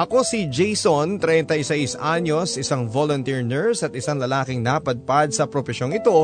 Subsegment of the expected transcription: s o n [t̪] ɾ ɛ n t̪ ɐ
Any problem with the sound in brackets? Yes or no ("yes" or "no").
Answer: no